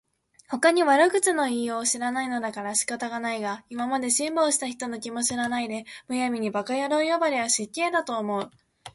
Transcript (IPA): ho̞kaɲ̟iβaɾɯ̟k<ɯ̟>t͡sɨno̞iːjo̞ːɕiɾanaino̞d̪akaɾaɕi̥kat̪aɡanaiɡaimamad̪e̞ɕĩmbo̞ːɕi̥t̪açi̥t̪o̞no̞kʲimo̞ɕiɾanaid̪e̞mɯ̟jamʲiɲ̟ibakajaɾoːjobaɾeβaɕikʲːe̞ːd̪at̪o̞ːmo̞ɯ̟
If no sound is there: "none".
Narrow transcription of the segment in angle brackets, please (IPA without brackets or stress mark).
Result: ɯ̟